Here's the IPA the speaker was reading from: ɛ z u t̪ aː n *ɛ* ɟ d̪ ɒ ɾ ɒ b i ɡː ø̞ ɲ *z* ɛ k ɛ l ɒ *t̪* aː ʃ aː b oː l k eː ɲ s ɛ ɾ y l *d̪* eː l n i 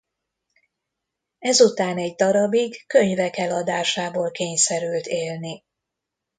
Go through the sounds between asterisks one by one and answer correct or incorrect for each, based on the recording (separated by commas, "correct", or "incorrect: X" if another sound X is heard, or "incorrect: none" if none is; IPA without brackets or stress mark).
correct, incorrect: v, incorrect: d̪, incorrect: t̪